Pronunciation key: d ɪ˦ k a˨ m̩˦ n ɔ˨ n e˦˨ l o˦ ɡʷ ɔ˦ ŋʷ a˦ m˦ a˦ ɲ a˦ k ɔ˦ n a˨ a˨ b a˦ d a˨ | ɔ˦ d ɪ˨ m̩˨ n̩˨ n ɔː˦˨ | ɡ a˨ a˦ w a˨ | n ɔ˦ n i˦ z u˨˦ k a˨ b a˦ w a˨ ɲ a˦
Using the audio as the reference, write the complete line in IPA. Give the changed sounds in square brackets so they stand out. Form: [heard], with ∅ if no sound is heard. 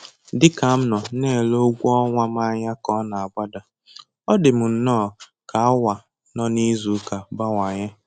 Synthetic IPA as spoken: d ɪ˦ k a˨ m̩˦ n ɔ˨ n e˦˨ l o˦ ɡʷ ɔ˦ ŋʷ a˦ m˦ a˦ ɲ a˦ k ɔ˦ n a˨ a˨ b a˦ d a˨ | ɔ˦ d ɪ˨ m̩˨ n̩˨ n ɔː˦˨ | [k] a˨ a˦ w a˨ | n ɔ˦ n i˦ z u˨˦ k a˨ b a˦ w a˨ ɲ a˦